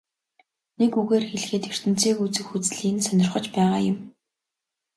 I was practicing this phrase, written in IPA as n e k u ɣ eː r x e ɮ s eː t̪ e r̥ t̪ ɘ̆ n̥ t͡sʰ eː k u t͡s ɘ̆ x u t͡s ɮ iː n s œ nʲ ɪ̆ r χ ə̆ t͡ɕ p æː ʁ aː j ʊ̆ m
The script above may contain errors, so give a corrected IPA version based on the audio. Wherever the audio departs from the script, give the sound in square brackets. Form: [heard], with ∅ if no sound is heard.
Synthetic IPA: n e k u ɣ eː r x e ɮ [x] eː t̪ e r̥ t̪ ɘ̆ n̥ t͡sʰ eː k u t͡s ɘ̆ x u t͡s ɮ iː n s œ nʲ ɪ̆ r χ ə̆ t͡ɕ p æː ʁ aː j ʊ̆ m